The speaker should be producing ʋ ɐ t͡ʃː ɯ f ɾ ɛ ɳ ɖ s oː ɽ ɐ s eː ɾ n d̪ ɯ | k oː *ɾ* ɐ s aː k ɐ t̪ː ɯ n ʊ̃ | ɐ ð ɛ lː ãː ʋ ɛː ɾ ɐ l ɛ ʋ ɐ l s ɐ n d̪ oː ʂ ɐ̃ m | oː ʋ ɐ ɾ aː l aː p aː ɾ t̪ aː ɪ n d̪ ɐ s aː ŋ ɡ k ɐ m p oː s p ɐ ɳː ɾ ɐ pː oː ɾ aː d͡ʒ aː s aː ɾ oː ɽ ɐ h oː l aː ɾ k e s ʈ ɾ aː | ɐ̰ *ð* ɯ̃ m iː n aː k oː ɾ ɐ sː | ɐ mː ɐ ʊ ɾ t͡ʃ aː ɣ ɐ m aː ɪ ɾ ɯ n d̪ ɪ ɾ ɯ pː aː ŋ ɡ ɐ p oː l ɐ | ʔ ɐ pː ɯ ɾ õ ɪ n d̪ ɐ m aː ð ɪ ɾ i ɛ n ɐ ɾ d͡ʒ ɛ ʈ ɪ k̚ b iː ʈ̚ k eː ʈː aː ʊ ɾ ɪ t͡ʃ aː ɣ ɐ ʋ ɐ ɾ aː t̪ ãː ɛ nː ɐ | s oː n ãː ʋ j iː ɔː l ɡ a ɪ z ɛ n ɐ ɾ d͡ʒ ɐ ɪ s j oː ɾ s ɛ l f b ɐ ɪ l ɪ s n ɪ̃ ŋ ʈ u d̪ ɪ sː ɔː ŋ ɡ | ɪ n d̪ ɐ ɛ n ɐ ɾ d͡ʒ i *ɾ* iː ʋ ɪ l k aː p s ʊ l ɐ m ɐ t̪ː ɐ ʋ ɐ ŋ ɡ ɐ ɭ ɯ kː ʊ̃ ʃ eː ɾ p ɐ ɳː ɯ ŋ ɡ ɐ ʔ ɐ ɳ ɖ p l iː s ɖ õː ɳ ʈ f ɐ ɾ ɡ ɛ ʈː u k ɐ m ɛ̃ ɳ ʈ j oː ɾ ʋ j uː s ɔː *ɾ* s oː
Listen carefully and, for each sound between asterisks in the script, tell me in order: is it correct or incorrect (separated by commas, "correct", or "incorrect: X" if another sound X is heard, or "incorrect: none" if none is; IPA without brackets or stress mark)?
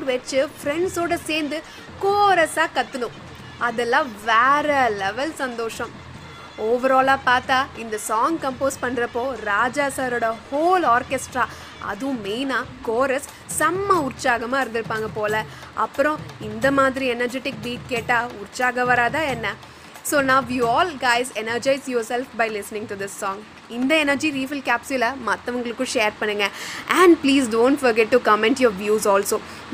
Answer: correct, correct, correct, incorrect: l